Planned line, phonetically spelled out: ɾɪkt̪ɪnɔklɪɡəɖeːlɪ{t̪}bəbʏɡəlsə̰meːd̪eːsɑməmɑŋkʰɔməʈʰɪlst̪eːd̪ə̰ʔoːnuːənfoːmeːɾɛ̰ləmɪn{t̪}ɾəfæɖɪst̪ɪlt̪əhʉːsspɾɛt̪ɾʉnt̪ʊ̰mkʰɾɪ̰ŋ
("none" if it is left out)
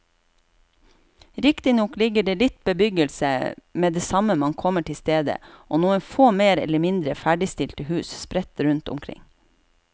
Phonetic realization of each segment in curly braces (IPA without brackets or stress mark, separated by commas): t̪, d̪